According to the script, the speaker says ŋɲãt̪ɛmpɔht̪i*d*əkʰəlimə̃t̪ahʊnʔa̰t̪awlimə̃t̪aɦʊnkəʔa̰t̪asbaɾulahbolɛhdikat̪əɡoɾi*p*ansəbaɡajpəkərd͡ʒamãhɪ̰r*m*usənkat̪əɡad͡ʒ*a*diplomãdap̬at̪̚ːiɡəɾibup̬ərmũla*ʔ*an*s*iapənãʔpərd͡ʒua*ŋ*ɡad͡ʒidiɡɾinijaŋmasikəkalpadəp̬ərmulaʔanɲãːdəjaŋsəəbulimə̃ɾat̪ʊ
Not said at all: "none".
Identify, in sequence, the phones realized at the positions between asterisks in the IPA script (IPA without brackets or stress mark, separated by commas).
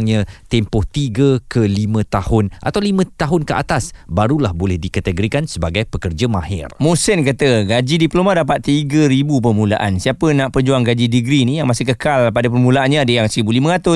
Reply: ɡ, k, m, i, ʔ, s, ŋ